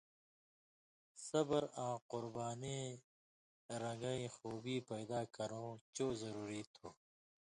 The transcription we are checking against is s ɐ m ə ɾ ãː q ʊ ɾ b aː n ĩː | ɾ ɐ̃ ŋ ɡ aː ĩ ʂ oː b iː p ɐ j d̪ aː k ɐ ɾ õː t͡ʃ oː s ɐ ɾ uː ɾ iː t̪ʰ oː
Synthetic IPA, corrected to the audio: s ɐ b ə ɾ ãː q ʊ ɾ b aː n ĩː | ɾ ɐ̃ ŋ ɡ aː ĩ x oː b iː p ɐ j d̪ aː k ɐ ɾ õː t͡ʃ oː z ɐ ɾ uː ɾ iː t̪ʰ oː